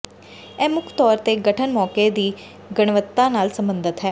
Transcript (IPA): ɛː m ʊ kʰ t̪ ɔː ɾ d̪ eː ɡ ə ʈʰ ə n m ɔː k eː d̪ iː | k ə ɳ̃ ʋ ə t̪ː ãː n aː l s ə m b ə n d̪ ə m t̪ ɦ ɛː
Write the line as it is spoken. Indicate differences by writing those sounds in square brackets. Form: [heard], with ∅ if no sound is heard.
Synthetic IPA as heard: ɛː m ʊ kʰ t̪ ɔː ɾ [t̪] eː ɡ ə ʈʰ ə n m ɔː k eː d̪ iː | [ɡ] ə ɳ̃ ʋ ə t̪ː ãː n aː l s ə m b ə n d̪ ə [∅] t̪ ɦ ɛː